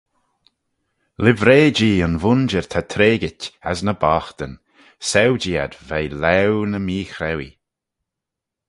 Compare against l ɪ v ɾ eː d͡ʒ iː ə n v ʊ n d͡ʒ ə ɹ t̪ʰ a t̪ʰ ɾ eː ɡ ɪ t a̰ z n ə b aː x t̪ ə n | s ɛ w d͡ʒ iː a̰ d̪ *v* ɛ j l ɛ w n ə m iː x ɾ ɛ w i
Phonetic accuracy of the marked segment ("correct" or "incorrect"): correct